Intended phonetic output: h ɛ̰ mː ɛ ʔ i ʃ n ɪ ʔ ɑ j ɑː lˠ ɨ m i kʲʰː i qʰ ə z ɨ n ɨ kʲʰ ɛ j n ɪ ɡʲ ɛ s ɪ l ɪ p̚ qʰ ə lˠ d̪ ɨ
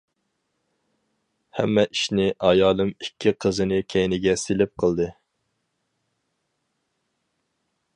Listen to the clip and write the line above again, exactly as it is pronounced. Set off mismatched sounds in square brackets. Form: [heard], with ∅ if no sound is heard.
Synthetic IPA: h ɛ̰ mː ɛ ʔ i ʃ n ɪ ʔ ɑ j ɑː lˠ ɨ m i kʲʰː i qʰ ə z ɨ n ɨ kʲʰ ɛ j n ɪ ɡʲ ɛ s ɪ l ɪ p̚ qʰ ə lˠ d̪ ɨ